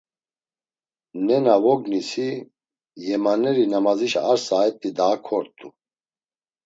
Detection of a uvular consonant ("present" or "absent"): absent